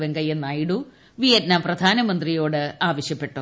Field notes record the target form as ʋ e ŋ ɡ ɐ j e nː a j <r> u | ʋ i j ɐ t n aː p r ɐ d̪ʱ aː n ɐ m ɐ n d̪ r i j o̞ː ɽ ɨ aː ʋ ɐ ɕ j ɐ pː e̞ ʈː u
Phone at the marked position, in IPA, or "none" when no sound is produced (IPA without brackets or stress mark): ɽ